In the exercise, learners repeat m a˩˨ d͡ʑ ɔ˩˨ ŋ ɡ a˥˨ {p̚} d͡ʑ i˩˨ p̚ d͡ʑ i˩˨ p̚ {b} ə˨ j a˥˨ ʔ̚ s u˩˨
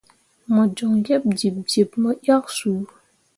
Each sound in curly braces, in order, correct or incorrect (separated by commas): correct, incorrect